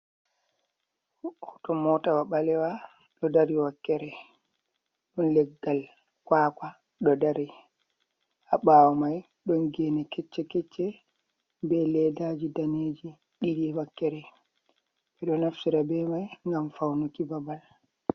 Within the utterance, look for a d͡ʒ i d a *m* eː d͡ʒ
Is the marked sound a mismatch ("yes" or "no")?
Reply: yes